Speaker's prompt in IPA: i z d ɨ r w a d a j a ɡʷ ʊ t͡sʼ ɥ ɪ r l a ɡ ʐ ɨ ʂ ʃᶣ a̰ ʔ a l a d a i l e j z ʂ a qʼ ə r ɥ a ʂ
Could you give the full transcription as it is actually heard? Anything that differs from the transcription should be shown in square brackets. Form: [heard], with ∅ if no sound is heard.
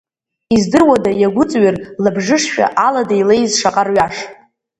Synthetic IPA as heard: i z d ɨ r w a d a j a ɡʷ ʊ t͡sʼ ɥ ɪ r l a [b] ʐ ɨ ʂ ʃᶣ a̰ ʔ a l a d a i l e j z ʂ a qʼ [a] r ɥ a ʂ